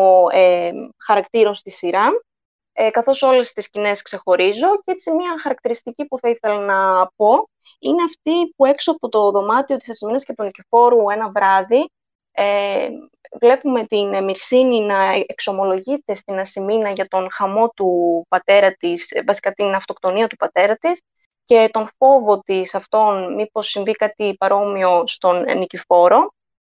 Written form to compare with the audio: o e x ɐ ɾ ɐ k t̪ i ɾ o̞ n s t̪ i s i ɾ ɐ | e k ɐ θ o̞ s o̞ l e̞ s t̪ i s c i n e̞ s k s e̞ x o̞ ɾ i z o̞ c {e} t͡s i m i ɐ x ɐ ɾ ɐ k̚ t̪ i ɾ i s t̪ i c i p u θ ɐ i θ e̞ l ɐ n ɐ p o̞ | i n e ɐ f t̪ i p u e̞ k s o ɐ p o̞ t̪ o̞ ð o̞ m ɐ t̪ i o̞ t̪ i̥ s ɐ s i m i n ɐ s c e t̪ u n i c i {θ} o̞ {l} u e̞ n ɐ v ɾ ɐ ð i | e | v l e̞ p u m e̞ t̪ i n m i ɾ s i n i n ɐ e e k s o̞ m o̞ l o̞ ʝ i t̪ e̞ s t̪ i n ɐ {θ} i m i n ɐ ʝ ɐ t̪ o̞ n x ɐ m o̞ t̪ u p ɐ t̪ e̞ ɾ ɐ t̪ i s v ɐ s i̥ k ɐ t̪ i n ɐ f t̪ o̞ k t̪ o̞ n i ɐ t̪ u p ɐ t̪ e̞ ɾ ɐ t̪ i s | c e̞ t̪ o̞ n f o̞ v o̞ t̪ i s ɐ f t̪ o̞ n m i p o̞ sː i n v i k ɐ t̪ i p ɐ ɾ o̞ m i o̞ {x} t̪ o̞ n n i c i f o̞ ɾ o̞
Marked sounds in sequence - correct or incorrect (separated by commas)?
correct, incorrect, incorrect, incorrect, incorrect